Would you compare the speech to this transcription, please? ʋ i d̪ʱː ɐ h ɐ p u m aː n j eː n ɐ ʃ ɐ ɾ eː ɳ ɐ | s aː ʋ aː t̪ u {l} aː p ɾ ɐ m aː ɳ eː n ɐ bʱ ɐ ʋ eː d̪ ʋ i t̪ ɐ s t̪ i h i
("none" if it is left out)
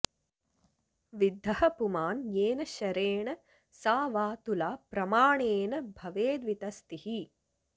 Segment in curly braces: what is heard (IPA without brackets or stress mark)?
l